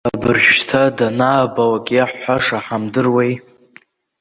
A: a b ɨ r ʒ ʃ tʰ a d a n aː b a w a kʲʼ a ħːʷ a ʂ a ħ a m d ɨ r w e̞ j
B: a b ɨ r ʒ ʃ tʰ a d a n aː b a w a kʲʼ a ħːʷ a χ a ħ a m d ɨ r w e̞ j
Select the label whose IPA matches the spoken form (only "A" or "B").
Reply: A